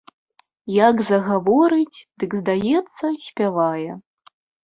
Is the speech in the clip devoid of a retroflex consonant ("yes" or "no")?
yes